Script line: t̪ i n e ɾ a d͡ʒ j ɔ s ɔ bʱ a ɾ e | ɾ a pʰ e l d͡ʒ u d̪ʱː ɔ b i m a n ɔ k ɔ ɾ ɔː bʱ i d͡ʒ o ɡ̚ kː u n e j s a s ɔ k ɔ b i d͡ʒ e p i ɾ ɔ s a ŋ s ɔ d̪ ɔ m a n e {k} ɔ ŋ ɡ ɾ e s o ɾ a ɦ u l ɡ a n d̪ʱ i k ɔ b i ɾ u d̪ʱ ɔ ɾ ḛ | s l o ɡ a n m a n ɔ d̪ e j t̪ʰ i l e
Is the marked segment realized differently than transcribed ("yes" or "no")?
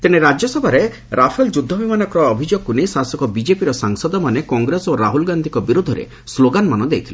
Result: no